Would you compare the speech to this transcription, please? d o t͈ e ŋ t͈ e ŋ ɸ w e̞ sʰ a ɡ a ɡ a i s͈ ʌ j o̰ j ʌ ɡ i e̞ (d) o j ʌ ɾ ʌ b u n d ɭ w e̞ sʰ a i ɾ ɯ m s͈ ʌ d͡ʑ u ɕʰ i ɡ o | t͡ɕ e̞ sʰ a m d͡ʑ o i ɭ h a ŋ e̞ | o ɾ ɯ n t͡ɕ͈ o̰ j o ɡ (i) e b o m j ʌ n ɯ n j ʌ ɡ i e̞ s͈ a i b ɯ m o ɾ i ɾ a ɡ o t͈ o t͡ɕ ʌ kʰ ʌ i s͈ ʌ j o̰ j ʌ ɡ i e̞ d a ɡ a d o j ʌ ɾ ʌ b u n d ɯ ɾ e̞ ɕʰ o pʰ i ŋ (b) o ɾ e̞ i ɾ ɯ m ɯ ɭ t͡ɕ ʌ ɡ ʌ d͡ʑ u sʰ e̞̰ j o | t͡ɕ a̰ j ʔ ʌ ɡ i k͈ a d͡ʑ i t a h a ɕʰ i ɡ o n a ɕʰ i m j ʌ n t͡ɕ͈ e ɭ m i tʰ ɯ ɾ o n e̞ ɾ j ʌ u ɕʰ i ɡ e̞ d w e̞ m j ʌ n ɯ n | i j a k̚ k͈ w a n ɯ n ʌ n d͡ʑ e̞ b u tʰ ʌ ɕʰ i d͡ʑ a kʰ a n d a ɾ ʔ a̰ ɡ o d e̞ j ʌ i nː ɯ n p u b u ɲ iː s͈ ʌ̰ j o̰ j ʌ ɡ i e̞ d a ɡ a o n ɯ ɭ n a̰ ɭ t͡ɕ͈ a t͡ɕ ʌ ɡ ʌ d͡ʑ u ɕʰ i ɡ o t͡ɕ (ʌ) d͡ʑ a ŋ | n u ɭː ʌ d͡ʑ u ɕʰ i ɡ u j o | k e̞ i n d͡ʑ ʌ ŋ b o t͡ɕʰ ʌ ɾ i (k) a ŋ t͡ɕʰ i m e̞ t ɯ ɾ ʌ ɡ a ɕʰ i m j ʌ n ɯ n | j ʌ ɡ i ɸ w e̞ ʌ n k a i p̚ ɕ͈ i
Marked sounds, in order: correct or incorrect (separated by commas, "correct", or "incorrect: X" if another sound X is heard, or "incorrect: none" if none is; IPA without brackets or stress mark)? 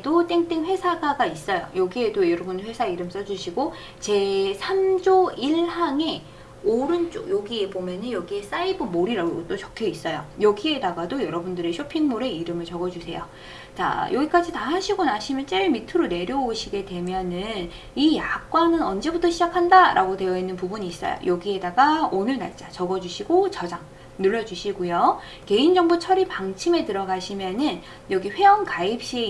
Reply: correct, correct, incorrect: m, correct, incorrect: p